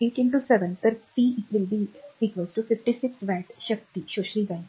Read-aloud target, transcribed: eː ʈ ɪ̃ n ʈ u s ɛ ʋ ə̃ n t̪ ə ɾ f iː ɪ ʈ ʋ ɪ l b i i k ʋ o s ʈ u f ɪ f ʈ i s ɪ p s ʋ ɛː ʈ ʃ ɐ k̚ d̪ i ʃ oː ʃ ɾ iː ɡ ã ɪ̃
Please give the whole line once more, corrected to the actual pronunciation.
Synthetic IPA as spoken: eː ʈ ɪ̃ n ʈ u s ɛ ʋ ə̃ n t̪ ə ɾ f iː ɪ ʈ ʋ ɪ l b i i k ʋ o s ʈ u f ɪ f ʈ i s ɪ k s ʋ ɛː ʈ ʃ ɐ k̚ t̪ i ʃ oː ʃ ɾ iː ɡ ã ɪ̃